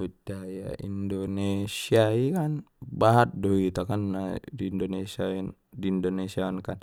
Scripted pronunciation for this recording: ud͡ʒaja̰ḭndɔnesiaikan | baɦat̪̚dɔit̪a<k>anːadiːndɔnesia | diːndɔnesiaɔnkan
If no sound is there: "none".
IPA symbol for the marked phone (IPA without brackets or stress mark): k